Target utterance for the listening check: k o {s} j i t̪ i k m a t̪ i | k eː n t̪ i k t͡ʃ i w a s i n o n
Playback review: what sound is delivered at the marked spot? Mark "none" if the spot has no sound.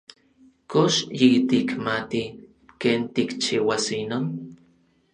ʃ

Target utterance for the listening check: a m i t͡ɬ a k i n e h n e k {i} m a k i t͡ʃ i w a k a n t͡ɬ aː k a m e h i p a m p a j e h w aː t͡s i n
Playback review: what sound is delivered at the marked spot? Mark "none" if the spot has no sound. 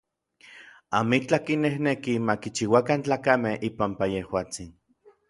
i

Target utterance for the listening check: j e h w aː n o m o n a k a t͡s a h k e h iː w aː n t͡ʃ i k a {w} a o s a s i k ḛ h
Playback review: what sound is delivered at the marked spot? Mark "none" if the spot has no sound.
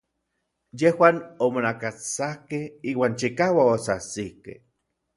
w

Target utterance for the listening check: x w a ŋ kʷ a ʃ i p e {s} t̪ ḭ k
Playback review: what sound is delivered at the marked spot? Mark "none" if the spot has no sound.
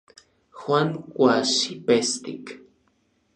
s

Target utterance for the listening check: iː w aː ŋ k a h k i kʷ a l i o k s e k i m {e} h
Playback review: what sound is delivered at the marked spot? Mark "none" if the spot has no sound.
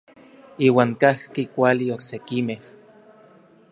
e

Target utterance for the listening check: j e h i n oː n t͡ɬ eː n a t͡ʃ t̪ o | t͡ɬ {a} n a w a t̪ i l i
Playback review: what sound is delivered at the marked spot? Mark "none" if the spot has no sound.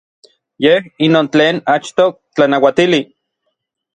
a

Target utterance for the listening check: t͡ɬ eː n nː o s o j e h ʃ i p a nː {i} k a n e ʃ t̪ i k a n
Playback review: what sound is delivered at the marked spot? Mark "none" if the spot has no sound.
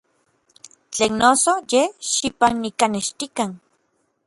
i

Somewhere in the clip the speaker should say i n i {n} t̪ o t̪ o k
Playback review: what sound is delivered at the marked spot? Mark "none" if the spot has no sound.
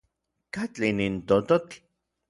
n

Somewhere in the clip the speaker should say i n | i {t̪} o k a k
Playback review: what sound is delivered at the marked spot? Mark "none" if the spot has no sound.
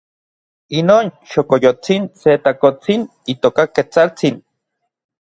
t̪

